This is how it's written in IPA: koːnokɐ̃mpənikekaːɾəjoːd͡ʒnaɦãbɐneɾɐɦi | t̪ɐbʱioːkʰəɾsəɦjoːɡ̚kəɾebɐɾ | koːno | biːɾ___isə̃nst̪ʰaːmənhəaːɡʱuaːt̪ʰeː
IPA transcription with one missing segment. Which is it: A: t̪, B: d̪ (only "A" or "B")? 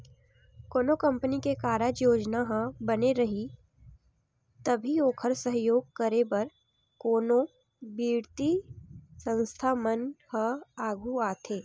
A